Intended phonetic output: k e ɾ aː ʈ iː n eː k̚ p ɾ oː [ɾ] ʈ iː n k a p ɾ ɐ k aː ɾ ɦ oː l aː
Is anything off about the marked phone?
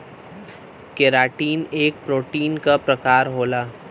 yes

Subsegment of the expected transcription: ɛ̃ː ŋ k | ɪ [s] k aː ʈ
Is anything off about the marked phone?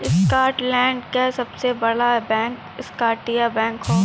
no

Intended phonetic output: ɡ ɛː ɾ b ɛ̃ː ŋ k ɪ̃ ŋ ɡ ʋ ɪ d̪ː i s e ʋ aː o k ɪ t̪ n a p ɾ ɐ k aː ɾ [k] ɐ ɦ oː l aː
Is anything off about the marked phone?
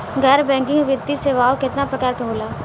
no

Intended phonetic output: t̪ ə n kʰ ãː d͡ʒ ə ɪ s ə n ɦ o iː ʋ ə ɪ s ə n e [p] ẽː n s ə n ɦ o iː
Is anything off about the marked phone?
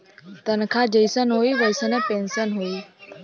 no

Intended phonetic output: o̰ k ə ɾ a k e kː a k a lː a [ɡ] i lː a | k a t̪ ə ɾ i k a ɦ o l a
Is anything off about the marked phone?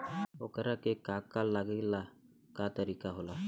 no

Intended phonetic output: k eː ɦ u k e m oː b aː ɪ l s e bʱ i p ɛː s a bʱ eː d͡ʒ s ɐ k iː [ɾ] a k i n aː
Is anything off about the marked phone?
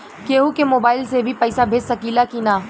yes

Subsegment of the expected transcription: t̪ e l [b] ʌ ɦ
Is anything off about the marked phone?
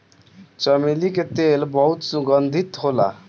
no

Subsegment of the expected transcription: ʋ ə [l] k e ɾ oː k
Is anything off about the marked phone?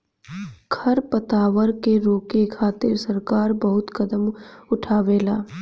yes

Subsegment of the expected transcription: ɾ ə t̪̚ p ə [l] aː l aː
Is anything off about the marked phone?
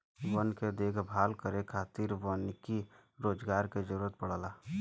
yes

